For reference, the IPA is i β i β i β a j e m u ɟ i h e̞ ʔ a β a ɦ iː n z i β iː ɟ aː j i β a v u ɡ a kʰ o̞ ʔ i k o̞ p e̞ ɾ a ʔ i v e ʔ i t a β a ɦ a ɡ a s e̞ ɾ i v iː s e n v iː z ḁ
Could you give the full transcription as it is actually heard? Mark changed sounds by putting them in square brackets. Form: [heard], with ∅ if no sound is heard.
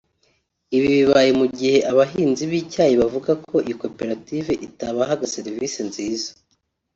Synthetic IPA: i β i β i β a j e m u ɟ i h e̞ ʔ a β a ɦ iː n z i β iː [c] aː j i β a v u ɡ a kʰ o̞ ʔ i k o̞ p e̞ ɾ a [t] i v e ʔ i t a β a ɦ a ɡ a s e̞ ɾ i v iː s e n [z] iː z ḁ